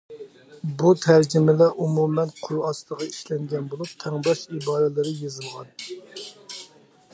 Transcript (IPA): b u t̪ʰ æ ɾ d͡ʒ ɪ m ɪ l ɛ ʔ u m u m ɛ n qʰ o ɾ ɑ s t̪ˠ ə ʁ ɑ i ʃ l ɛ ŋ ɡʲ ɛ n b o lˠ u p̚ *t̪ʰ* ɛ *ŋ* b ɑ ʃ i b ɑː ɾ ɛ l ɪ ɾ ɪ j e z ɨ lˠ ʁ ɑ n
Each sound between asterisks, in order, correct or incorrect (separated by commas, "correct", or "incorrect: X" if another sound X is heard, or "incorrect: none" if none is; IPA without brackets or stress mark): correct, correct